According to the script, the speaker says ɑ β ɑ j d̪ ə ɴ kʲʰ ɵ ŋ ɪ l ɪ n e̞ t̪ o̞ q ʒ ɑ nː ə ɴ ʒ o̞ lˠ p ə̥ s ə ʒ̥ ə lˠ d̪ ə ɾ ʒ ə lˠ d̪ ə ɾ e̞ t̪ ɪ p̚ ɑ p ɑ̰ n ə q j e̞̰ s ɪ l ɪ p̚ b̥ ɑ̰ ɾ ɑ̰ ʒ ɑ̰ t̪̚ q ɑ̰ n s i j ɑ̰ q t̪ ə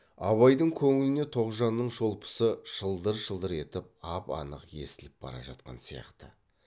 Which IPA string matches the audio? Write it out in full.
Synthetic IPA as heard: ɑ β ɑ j d̪ ə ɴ kʲʰ ɵ ŋ ɪ l ɪ n e̞ t̪ʰ o̞ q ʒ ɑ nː ə ɴ ʒ o̞ lˠ p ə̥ s ə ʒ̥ ə lˠ d̪ ə ɾ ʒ ə lˠ d̪ ə ɾ e̞ t̪ ɪ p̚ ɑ p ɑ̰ n ə q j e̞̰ s ɪ l ɪ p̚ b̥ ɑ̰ ɾ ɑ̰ ʒ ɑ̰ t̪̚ q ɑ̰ n s i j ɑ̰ q t̪ ə